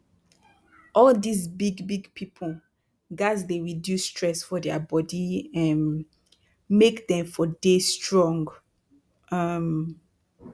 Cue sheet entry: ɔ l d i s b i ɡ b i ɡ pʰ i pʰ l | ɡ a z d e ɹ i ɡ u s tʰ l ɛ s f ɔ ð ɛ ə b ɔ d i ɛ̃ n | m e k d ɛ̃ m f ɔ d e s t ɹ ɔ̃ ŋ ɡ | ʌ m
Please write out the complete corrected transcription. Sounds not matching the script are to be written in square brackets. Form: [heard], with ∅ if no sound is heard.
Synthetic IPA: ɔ l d i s b i ɡ b i ɡ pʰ i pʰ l | ɡ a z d e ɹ i [d] u s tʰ [ɹ] ɛ s f ɔ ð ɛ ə b ɔ d i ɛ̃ n | m e k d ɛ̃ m f ɔ d e s t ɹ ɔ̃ ŋ ɡ | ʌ m